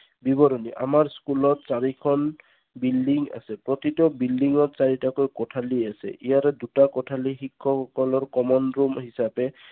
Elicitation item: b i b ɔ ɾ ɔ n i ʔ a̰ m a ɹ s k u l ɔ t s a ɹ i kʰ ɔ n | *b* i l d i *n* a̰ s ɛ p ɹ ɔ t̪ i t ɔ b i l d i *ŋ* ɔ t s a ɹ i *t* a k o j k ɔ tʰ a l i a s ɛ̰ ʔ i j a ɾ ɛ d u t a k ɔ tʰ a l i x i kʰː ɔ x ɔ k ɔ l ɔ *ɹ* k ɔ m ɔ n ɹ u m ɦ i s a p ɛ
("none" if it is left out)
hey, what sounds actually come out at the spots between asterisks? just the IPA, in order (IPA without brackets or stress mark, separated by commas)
b, ŋ, ŋ, t, ɹ